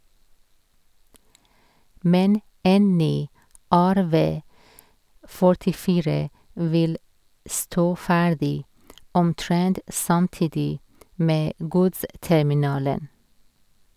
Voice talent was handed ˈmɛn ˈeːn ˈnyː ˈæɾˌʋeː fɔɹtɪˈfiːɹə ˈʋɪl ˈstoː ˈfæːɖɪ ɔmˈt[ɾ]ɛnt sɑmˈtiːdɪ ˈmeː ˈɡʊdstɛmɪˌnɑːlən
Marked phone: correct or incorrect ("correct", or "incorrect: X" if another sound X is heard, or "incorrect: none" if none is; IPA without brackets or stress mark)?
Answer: incorrect: ɹ